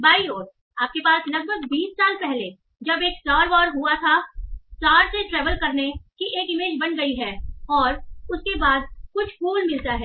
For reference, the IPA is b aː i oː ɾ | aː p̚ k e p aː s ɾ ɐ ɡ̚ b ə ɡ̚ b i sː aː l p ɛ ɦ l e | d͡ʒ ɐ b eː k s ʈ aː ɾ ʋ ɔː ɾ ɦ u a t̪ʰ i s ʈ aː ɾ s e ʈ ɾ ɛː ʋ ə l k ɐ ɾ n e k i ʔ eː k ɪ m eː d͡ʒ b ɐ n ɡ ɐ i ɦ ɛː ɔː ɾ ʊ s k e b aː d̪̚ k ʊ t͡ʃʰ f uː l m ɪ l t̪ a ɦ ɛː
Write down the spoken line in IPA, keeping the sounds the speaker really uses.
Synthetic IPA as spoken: b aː i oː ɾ | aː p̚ k e p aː s l ɐ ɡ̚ b ə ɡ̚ b iː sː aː l p ɛ ɦ l e | d͡ʒ ɐ b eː k s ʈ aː ɾ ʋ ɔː ɾ ɦ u a t̪ʰ a s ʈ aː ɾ s e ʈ ɾ ɛː ʋ ə l k ɐ ɾ n e k i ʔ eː k ɪ m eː d͡ʒ b ɐ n ɡ ɐ i ɦ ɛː ɔː ɾ ʊ s k e b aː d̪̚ k ʊ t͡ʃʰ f uː l m ɪ l t̪ a ɦ ɛː